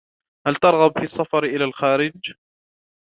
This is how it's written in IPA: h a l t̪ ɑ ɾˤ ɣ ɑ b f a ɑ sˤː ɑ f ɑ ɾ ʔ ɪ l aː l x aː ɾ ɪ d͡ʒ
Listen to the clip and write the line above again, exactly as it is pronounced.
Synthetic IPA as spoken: h a l t̪ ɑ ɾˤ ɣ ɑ b f i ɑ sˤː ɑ f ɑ ɾ ʔ ɪ l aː l x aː ɾ ɪ d͡ʒ